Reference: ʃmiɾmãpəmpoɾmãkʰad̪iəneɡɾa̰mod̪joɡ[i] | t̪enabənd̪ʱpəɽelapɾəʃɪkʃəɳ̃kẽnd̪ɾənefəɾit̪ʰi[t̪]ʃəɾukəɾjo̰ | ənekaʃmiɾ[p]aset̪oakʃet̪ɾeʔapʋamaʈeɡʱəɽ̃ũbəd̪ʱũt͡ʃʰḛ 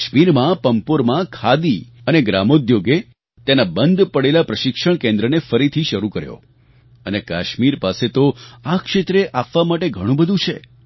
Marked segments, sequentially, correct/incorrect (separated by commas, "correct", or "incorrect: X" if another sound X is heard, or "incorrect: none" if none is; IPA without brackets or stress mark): incorrect: e, incorrect: none, correct